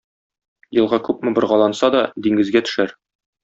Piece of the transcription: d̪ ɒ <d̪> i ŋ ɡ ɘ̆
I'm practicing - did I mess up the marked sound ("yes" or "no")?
no